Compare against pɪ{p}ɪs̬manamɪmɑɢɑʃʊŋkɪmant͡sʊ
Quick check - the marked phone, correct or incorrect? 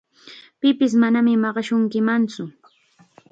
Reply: correct